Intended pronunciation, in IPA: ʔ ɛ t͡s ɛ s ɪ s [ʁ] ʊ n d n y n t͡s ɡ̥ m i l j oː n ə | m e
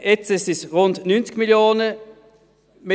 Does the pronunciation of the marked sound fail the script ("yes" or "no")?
no